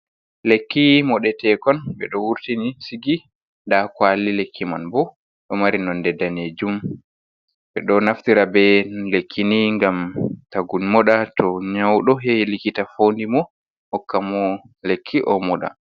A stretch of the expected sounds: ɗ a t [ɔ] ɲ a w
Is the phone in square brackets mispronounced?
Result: no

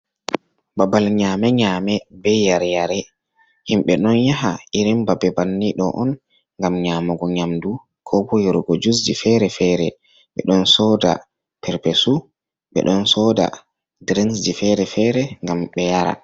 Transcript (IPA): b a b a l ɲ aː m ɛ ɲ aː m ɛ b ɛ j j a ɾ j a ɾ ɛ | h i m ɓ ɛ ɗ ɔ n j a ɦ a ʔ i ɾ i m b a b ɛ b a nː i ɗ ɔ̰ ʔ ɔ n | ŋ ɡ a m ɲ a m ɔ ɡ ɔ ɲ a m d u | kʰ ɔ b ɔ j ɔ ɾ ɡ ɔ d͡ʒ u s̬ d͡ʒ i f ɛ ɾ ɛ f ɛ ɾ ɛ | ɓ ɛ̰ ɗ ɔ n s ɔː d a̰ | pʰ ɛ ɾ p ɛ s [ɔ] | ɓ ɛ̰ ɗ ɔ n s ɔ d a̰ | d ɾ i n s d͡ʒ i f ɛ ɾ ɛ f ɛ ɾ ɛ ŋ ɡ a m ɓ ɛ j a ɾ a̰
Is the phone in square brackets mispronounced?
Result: yes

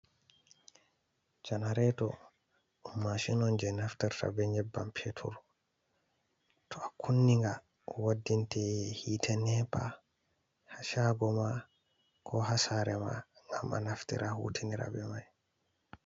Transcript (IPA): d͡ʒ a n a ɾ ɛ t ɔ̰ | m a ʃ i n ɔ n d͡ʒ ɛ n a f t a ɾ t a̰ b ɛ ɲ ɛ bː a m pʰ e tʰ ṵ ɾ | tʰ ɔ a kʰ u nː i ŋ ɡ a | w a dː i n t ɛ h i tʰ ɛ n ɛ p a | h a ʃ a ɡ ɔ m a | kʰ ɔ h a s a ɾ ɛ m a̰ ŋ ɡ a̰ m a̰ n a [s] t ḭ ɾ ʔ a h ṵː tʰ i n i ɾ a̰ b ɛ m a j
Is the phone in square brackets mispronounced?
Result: yes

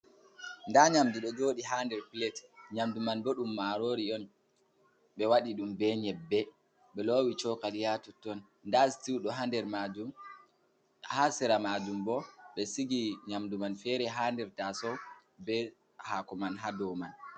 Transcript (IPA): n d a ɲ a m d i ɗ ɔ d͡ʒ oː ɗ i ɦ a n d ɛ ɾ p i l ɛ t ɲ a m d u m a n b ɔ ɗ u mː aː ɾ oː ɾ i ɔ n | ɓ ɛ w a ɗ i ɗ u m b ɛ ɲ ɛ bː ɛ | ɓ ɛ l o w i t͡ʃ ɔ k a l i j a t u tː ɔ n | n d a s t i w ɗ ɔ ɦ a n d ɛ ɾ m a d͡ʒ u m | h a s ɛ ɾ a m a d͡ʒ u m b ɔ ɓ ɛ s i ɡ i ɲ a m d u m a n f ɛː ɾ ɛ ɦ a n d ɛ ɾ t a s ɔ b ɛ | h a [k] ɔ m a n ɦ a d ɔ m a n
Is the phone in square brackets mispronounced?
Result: no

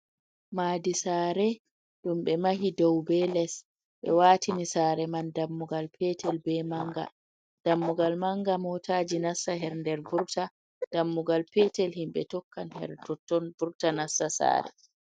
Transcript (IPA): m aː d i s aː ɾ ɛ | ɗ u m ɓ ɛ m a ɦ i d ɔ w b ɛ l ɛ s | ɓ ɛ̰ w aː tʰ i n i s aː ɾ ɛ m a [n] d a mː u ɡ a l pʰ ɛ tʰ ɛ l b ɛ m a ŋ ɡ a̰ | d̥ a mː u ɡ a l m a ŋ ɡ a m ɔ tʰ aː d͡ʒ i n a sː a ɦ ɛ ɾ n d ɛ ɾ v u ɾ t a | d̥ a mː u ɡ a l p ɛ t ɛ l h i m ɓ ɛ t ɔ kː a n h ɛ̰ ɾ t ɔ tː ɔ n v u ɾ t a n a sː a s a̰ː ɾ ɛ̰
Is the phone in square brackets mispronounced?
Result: no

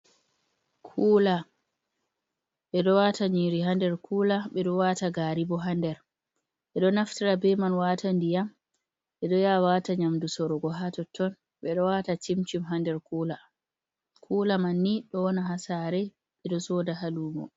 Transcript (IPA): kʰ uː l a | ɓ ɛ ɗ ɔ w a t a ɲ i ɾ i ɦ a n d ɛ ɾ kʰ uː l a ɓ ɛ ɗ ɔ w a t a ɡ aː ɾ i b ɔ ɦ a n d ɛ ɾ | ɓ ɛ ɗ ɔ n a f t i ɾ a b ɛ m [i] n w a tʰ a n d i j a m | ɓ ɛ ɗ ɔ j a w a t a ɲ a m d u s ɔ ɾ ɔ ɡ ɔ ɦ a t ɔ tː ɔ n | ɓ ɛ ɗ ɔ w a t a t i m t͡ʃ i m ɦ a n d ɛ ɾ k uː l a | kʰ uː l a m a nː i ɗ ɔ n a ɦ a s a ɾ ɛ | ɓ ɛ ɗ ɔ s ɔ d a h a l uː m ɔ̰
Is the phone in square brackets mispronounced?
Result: yes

